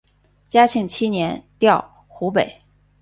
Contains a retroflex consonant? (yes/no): no